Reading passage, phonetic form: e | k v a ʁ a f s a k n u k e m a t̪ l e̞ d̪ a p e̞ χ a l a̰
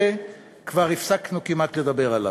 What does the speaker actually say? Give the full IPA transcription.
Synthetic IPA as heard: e | k v a ʁ i f s a k n u k i m a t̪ l e̞ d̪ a b e̞ ʁ a l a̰